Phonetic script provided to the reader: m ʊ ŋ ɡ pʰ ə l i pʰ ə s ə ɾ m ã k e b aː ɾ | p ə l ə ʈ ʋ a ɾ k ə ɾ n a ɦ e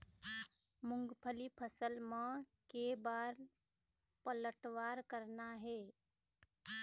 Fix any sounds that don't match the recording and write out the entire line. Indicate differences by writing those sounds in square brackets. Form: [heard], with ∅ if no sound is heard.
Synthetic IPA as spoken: m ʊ ŋ ɡ pʰ ə l i pʰ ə s ə [l] m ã k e b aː ɾ | p ə l ə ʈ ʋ a ɾ k ə ɾ n a ɦ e